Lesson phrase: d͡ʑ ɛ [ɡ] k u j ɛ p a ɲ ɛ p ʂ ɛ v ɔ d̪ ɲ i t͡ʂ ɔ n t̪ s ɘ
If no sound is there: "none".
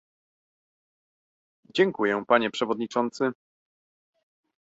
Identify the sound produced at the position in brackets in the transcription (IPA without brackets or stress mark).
ŋ